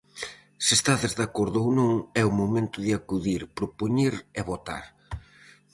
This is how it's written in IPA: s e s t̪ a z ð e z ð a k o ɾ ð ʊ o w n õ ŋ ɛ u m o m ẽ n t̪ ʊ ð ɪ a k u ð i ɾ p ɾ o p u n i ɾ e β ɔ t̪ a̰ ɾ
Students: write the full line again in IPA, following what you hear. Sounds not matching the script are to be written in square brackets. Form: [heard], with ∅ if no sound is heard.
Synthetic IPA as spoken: s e s t̪ a [∅] ð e z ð a k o ɾ ð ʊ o w n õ ŋ ɛ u m o m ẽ n t̪ ʊ ð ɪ a k u ð i ɾ p ɾ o p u [ɲ] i ɾ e β [o] t̪ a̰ ɾ